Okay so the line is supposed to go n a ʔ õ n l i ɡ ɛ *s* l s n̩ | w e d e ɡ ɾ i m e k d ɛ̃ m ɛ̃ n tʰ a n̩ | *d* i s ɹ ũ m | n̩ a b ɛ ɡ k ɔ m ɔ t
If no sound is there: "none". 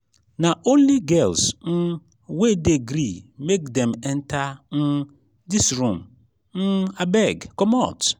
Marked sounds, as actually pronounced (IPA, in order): none, d

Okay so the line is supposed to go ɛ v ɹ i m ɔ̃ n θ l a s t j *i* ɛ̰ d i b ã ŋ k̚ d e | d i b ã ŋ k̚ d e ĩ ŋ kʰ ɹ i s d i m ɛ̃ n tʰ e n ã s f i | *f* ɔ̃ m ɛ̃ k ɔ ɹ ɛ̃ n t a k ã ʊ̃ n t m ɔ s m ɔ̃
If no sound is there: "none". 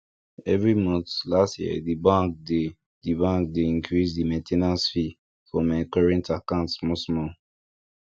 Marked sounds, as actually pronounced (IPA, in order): i, f

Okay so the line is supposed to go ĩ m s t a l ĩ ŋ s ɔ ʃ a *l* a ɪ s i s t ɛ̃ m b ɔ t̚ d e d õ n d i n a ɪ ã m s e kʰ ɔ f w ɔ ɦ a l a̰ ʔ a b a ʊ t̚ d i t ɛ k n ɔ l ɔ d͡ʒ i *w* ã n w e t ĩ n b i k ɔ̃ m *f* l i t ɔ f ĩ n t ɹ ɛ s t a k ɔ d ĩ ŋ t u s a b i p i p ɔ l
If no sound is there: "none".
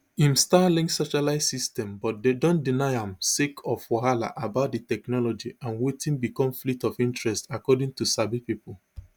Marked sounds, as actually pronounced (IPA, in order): l, none, f

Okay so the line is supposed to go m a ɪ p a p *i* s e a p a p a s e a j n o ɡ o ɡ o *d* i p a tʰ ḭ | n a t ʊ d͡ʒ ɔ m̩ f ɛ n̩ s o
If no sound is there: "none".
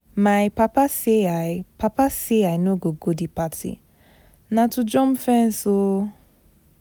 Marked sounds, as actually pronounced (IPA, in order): a, d

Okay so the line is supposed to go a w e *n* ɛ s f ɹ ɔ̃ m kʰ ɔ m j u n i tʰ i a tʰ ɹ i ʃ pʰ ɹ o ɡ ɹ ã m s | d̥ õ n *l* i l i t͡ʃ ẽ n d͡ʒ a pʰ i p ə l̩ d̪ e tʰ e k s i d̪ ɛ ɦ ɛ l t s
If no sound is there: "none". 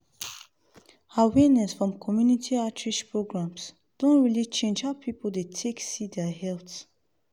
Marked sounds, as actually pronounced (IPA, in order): n, ɹ

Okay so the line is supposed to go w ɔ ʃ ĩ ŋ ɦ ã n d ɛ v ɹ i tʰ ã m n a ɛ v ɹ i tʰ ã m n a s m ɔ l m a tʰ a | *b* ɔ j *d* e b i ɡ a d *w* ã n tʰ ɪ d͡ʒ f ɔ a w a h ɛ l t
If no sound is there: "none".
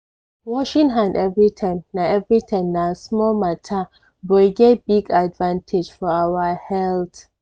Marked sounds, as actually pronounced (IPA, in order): b, ɡ, v

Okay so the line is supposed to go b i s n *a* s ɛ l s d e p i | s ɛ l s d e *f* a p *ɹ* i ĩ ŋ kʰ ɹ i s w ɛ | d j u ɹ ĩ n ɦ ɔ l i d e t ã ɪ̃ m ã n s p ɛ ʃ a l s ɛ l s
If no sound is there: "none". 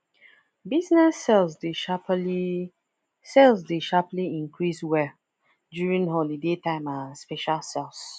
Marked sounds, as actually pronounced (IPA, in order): ɛ, ʃ, l

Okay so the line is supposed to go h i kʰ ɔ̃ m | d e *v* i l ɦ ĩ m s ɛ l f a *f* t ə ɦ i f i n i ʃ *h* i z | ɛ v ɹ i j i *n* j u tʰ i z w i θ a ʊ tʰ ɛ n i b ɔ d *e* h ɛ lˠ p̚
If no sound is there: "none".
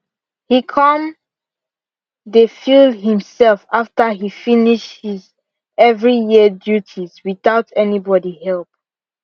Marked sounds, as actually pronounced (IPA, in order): f, f, h, d, i

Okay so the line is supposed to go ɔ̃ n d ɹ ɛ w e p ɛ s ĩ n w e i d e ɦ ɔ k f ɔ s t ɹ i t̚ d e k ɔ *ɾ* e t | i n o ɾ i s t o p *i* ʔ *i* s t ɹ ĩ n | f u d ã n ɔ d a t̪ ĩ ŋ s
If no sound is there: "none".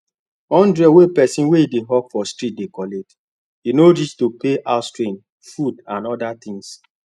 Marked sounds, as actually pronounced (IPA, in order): l, e, a

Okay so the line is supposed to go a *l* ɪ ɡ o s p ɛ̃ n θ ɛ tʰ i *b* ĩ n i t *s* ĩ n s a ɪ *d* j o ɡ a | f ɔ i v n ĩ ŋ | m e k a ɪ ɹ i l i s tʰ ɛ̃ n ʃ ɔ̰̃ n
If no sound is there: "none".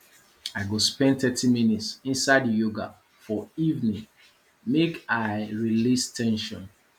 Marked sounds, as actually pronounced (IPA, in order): none, m, s, d

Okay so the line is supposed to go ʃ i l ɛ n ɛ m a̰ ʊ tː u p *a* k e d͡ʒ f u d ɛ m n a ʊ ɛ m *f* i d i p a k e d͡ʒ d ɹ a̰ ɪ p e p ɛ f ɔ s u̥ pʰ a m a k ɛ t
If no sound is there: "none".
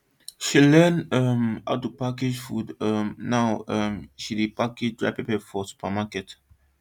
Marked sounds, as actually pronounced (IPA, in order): a, ʃ

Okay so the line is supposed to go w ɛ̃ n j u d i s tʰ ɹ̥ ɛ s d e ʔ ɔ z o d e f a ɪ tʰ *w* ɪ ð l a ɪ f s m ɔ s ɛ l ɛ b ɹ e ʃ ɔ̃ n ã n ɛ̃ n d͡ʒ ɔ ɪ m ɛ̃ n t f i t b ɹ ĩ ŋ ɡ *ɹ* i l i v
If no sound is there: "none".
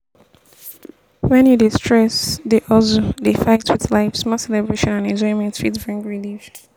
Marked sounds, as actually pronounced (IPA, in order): w, ɹ

